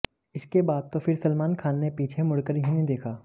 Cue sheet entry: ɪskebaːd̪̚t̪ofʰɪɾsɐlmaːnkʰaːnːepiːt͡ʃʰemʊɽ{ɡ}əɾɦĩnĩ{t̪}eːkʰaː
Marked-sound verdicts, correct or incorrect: incorrect: k, incorrect: d̪

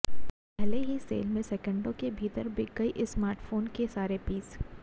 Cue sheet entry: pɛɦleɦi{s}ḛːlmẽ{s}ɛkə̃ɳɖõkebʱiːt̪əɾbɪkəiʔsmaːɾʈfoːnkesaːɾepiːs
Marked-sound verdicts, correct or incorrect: correct, correct

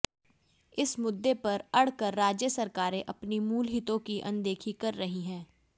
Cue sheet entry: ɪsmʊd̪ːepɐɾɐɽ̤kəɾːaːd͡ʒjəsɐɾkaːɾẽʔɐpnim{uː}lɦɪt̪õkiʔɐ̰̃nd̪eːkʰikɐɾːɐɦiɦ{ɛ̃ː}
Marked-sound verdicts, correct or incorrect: correct, correct

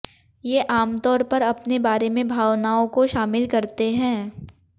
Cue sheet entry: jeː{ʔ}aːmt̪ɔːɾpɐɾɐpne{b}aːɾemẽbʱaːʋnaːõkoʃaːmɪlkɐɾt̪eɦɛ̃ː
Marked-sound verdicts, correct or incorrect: correct, correct

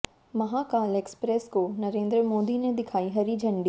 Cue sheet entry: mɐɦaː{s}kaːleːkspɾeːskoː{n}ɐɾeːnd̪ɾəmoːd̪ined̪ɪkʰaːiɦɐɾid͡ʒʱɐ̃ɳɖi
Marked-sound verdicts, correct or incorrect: incorrect: none, correct

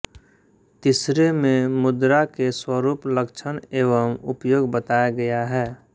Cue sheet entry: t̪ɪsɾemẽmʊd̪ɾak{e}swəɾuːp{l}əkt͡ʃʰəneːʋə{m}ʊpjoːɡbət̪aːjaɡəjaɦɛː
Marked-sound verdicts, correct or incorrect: correct, correct, correct

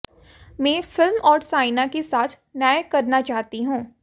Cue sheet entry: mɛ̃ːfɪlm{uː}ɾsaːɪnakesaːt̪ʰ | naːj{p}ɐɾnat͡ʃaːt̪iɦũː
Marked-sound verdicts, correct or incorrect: incorrect: ɔː, incorrect: k

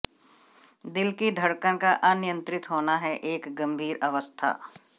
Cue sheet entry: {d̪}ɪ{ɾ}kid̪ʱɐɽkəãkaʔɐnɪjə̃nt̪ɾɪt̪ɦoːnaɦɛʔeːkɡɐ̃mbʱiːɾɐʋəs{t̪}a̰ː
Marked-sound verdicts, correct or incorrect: correct, incorrect: l, incorrect: t̪ʰ

